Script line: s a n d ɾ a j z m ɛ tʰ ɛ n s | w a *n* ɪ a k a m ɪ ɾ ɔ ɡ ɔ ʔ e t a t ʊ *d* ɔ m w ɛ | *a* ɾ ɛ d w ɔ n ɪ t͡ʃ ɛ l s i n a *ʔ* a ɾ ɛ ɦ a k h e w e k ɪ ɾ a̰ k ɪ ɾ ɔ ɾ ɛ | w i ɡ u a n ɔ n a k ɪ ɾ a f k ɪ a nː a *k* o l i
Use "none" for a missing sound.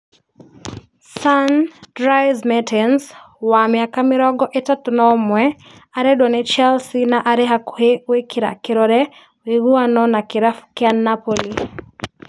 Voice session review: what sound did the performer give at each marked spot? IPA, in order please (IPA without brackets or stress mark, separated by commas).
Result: m, n, a, ʔ, p